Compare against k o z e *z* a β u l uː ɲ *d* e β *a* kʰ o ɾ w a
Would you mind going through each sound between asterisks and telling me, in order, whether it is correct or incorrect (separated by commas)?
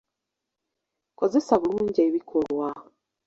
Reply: incorrect, incorrect, incorrect